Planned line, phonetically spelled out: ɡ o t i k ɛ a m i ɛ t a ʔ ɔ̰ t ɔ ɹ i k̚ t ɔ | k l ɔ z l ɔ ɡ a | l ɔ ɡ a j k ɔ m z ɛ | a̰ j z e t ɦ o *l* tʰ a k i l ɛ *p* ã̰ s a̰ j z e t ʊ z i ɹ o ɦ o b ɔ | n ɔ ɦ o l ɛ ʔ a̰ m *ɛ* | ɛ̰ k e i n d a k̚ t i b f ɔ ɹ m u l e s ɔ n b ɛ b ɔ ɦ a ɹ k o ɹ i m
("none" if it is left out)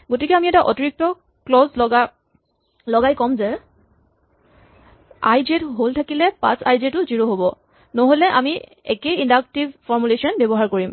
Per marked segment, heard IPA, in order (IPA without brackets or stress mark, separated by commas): l, p, i